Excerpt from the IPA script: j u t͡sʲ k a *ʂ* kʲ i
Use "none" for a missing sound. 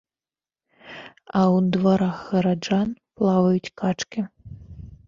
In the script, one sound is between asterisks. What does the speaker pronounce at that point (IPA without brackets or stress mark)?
t͡ʂ